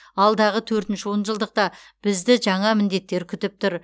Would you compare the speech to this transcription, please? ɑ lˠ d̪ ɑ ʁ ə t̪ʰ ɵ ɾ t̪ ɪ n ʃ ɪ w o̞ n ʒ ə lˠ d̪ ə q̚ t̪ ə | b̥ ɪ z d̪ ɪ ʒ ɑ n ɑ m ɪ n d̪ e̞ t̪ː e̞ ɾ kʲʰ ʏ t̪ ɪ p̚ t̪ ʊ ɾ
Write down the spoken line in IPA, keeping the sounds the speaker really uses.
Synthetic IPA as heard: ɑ lˠ d̪ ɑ ʁ ə t̪ʰ ɵ ɾ t̪ ɪ n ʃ ɪ w o̞ n ʒ ə lˠ d̪ ə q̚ t̪ ɑ | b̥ ɪ z d̪ ɪ ʒ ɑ ɴ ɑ m ɪ n d̪ e̞ t̪ː e̞ ɾ kʲʰ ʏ t̪ ɪ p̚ t̪ ʊ ɾ